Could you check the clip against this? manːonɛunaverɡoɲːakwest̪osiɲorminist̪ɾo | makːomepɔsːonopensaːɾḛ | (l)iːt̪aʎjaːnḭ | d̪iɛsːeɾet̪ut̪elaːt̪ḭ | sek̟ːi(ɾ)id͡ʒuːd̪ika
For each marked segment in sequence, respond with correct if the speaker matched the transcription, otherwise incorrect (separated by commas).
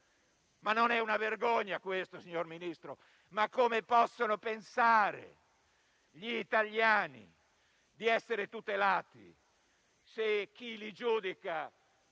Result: incorrect, incorrect